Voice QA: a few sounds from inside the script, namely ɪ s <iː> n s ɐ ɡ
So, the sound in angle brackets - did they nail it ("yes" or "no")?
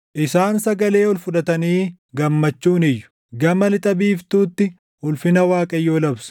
no